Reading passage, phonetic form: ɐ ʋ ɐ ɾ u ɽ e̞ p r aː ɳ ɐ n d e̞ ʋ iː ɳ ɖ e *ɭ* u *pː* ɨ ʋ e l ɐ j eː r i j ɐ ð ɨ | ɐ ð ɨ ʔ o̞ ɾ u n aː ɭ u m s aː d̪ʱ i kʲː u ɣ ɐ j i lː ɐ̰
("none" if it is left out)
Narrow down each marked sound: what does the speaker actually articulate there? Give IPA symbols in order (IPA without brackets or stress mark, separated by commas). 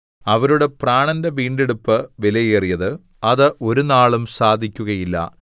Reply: ɽ, pː